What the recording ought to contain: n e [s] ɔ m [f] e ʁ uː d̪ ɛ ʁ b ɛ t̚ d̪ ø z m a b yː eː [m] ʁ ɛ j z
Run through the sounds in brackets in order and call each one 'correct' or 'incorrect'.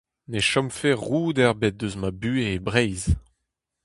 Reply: incorrect: ʃ, correct, incorrect: b

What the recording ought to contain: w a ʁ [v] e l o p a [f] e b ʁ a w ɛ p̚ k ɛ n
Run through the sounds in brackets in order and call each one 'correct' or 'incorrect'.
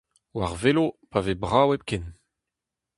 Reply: correct, incorrect: v

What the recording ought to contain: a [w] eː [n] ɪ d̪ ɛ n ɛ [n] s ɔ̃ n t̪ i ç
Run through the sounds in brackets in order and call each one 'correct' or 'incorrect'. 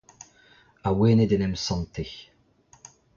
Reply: correct, correct, incorrect: m

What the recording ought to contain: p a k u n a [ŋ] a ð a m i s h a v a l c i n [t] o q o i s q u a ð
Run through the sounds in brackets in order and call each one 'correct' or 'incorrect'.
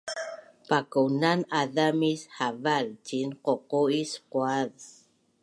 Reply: incorrect: n, incorrect: q

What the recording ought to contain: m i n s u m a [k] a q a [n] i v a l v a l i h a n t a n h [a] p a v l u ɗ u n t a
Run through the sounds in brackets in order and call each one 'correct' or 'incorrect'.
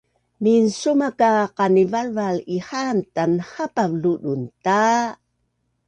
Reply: correct, correct, correct

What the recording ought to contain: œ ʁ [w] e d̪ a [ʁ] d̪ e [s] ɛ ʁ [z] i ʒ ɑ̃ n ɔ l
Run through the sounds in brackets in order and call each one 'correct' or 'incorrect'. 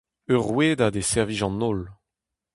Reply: correct, incorrect: none, correct, incorrect: v

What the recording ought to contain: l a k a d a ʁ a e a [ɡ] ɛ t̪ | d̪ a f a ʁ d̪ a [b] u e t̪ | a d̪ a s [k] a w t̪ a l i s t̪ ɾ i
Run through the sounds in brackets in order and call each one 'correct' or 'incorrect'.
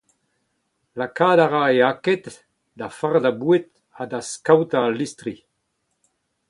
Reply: incorrect: k, correct, correct

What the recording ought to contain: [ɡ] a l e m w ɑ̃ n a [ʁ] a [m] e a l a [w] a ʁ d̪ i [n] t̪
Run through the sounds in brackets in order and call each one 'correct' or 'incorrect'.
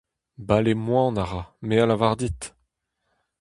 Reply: incorrect: b, correct, correct, incorrect: v, incorrect: none

